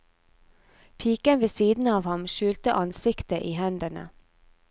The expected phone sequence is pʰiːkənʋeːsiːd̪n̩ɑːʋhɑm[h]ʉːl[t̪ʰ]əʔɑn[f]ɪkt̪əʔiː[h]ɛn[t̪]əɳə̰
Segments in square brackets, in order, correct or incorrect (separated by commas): incorrect, incorrect, incorrect, correct, incorrect